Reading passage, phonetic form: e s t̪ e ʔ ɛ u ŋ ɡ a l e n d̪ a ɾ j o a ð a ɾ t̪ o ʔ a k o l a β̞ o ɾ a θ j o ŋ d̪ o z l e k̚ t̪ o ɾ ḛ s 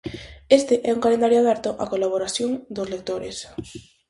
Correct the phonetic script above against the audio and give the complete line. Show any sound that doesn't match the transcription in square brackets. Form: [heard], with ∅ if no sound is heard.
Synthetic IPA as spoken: e s t̪ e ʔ ɛ u ŋ [k] a l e n d̪ a ɾ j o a ð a ɾ t̪ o ʔ a k o l a β̞ o ɾ a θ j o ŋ d̪ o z l e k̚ t̪ o ɾ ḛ s